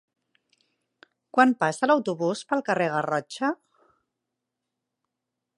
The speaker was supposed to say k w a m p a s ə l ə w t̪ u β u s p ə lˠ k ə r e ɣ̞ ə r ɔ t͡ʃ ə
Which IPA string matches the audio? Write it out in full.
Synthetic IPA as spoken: k w a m p a s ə l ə w t̪ u β u s p ə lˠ k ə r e ɣ̞ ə r ɔ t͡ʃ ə